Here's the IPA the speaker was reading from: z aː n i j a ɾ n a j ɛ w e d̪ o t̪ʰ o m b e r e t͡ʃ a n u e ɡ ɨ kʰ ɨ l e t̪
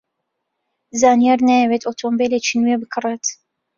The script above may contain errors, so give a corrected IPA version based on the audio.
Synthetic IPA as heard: z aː n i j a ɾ n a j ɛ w e t̪ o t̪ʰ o m b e l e t͡ʃ i n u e b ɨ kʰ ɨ r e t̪